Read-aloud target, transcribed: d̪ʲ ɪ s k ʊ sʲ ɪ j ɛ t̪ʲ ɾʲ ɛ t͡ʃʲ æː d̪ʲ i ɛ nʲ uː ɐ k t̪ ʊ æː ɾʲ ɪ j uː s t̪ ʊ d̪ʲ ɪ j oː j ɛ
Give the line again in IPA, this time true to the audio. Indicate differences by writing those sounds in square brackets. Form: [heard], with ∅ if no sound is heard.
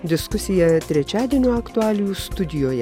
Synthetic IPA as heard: d̪ʲ ɪ s k ʊ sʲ ɪ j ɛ t̪ʲ ɾʲ ɛ t͡ʃʲ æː d̪ʲ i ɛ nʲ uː ɐ k t̪ ʊ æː [lʲ] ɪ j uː s t̪ ʊ d̪ʲ ɪ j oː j ɛ